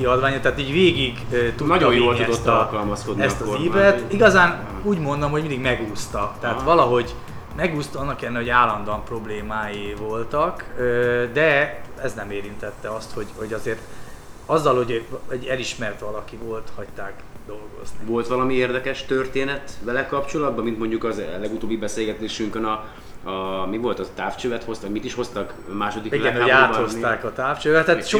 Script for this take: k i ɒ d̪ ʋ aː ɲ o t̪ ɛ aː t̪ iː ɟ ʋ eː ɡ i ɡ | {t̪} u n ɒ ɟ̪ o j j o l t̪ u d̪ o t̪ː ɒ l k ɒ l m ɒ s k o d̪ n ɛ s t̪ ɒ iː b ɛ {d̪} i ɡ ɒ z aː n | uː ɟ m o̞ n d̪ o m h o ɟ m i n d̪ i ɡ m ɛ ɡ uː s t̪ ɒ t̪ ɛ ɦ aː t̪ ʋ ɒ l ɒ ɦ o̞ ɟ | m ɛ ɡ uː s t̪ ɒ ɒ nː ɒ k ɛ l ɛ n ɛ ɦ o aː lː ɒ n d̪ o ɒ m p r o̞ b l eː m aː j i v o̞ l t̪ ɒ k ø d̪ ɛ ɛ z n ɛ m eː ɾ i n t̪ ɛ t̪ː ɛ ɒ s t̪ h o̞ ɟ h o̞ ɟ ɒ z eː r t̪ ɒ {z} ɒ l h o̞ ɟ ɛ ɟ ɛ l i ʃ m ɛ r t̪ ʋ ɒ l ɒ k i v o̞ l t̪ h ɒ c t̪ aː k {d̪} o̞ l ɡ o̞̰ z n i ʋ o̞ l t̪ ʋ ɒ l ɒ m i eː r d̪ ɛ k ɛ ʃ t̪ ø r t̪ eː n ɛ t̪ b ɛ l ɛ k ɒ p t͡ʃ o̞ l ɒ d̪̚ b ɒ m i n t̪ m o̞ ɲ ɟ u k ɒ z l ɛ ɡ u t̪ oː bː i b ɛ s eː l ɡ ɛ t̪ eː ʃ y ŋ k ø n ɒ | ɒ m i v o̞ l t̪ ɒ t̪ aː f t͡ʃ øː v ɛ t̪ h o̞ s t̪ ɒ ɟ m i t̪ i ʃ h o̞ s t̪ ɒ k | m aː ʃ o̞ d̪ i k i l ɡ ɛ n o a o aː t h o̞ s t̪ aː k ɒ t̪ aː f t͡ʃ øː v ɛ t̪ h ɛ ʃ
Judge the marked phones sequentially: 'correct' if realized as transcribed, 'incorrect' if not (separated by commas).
correct, incorrect, incorrect, correct